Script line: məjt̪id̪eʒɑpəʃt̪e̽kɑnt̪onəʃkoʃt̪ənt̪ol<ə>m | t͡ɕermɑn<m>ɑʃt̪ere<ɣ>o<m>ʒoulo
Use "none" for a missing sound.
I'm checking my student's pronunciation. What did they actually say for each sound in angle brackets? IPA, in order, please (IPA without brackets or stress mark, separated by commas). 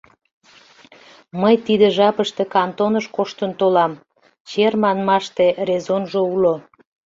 ɑ, m, z, n